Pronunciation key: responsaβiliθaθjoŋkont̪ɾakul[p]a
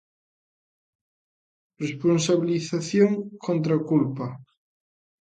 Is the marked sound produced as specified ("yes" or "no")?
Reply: yes